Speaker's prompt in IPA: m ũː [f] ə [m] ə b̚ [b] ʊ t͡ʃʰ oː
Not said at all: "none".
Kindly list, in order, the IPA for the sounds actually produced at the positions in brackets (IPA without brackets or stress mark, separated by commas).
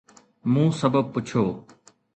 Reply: s, b, p